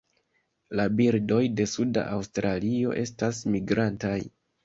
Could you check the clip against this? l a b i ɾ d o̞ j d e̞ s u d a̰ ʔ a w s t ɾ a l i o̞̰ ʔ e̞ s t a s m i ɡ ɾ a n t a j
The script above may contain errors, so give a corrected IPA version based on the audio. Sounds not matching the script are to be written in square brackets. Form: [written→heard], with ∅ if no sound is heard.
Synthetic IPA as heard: l a b i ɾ d o̞ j d e̞ s u d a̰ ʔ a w s t ɾ a l i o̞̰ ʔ e̞ s t a s m i ɡ ɾ a n t a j